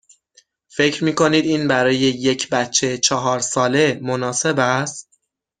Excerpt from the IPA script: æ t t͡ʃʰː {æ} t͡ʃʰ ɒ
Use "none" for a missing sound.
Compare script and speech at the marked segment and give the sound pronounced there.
e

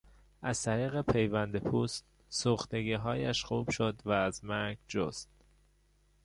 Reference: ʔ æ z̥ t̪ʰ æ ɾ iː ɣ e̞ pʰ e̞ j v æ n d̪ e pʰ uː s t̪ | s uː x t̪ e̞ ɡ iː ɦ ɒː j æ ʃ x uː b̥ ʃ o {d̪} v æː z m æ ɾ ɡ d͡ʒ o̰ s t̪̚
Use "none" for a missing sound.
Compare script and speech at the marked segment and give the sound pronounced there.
d̪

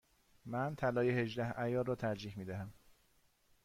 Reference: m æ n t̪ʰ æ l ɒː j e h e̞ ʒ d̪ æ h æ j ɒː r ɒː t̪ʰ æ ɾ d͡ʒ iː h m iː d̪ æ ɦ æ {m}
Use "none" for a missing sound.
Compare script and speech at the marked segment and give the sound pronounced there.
m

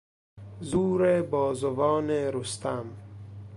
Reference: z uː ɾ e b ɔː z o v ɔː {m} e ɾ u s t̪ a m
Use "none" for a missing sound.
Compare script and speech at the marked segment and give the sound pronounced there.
n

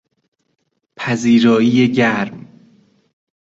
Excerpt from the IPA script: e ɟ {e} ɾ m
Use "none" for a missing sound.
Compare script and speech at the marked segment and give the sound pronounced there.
æ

